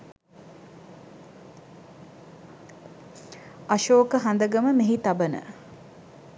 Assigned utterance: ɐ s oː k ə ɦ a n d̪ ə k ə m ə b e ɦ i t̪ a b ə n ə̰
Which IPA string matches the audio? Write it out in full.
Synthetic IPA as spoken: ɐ ʃ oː k ə ɦ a n d̪ ə ɡ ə m ə m e ɦ i t̪ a b ə n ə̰